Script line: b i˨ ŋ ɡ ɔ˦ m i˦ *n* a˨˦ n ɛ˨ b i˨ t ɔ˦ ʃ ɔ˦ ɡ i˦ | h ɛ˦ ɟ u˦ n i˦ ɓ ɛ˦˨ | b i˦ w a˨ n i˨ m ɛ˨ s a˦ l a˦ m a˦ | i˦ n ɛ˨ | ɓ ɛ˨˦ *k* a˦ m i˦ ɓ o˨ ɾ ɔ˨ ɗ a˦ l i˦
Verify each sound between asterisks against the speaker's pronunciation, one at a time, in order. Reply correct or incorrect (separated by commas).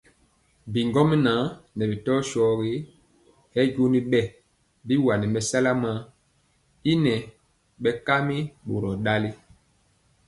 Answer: correct, correct